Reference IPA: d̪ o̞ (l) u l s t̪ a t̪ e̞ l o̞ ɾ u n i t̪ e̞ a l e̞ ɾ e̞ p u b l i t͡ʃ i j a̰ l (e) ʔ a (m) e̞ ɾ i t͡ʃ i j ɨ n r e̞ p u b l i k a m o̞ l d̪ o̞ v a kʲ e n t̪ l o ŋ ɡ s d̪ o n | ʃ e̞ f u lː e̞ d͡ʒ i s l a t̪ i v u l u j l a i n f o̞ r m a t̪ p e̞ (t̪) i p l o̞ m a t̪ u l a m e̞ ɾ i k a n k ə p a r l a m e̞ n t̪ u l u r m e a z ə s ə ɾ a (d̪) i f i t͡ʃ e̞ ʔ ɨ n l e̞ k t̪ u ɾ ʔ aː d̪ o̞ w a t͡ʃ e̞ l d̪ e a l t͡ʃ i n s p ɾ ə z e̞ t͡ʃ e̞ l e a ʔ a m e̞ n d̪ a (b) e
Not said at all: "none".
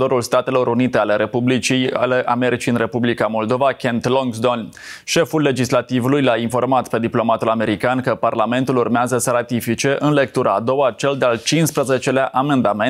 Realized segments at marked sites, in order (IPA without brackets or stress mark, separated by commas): ɾ, e, m, d̪, t̪, m